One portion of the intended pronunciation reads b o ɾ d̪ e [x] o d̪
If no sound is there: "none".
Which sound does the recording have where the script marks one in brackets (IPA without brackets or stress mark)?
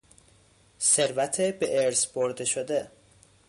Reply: ʃ